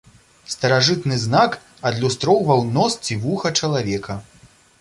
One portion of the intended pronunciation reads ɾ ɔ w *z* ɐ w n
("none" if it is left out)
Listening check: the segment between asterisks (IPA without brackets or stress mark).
v